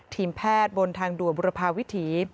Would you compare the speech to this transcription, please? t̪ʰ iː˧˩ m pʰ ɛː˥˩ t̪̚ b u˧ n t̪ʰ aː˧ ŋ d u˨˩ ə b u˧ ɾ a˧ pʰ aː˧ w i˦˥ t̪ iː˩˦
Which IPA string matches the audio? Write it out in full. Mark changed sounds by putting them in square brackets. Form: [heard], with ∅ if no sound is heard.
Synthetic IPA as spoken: t̪ʰ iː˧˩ m pʰ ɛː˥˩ t̪̚ b [o˧] n t̪ʰ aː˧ ŋ d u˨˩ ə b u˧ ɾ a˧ pʰ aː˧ w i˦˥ [t̪ʰ] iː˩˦